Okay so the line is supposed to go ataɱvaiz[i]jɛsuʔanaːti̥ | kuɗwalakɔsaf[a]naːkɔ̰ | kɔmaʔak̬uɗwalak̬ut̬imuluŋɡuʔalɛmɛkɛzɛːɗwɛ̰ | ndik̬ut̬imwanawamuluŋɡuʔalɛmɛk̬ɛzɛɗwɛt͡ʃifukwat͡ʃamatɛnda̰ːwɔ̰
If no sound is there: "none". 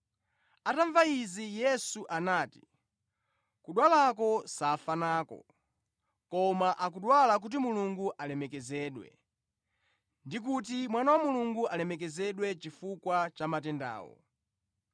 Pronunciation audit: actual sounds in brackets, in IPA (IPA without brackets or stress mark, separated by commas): i, a